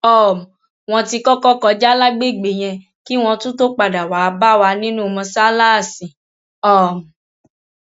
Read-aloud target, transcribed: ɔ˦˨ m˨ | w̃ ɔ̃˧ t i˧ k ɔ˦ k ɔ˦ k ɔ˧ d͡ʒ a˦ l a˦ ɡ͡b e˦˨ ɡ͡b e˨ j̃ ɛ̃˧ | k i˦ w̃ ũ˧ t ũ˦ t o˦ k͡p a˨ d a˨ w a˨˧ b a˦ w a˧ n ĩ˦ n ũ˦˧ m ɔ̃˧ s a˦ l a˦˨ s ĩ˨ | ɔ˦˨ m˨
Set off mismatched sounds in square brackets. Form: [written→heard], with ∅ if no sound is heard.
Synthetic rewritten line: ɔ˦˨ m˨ | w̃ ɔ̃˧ t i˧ k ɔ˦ k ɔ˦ k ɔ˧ d͡ʒ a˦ l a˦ ɡ͡b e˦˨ ɡ͡b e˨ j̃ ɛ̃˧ | k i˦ w̃ [ũ˧→ɔ̃˧] t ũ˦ t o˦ k͡p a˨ d a˨ w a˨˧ b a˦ w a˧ n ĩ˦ n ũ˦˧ m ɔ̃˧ s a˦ l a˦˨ s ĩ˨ | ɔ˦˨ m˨